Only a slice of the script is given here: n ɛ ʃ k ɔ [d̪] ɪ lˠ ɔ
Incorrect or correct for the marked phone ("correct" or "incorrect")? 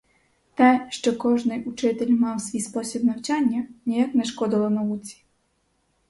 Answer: correct